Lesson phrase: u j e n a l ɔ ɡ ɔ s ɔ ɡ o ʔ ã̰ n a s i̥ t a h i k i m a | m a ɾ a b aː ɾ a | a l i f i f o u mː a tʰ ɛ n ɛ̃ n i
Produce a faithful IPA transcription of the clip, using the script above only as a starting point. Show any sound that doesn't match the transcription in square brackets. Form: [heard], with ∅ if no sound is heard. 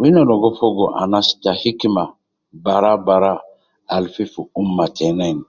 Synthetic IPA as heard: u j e n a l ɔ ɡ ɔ [f] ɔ ɡ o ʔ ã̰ n a s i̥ t a h i k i m a | [b] a ɾ a b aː ɾ a | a l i f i f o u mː a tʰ ɛ n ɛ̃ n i